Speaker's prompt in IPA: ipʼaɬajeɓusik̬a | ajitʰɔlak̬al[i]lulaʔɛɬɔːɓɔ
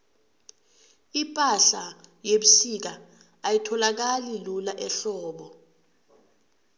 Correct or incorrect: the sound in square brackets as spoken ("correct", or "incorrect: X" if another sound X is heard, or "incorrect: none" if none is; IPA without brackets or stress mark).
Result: correct